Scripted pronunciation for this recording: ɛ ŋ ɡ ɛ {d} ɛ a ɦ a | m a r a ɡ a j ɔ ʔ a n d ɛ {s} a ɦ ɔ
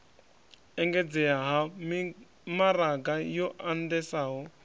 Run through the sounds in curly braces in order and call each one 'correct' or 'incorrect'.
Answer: incorrect, correct

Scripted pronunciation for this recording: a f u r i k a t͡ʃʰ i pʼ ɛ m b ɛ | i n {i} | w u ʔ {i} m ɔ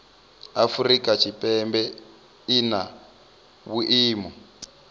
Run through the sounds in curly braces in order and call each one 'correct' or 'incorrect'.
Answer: incorrect, incorrect

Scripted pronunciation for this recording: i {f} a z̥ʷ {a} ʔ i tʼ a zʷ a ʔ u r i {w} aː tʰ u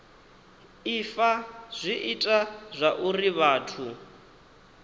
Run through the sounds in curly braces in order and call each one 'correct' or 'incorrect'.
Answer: correct, incorrect, incorrect

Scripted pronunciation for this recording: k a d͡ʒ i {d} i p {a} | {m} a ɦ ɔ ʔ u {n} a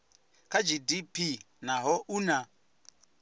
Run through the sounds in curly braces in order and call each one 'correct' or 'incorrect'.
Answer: correct, incorrect, incorrect, correct

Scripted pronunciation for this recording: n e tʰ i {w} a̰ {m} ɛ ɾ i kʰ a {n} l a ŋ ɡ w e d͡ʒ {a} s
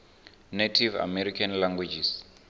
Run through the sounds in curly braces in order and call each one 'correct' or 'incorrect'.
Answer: incorrect, correct, correct, incorrect

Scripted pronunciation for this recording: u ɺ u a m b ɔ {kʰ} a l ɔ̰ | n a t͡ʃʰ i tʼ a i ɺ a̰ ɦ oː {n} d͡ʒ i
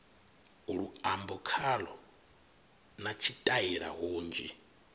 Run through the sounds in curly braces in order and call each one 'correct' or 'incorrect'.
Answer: correct, correct

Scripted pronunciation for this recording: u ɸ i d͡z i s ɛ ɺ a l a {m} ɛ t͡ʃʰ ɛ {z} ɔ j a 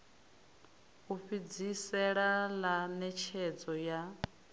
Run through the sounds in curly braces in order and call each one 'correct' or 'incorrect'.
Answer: incorrect, incorrect

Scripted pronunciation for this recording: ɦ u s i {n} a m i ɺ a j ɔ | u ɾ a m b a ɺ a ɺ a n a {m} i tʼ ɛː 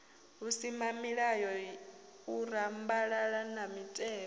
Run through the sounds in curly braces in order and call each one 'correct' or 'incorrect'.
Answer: incorrect, correct

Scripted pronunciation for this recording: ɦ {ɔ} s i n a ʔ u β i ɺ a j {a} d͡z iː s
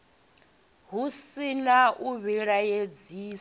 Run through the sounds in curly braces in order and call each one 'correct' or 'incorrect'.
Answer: incorrect, incorrect

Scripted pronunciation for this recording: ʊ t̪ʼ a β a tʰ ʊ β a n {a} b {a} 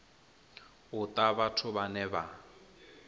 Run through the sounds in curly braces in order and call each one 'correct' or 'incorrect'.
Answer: incorrect, correct

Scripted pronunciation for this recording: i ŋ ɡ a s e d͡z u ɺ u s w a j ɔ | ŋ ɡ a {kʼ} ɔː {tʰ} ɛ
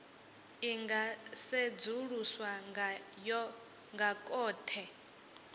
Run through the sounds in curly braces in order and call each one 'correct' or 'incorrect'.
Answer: correct, correct

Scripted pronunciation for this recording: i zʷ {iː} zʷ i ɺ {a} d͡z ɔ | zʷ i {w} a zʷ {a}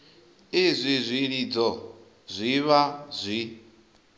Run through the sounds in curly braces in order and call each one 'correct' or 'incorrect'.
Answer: incorrect, incorrect, incorrect, incorrect

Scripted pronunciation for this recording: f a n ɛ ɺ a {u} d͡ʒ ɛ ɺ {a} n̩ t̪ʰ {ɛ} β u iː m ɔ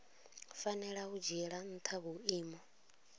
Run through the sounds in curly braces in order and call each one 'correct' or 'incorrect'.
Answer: correct, correct, incorrect

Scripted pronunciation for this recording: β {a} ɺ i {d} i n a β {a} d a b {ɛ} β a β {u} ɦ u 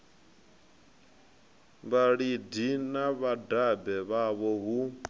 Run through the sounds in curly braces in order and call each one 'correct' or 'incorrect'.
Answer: correct, correct, correct, correct, incorrect

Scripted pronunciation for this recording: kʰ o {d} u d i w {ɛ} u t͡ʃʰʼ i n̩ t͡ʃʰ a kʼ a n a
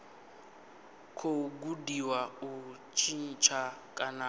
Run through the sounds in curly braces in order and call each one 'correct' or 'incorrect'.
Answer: incorrect, incorrect

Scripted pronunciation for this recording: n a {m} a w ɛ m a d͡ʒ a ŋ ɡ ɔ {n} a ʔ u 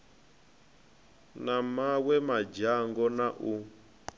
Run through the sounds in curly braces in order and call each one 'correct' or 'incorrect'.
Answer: correct, correct

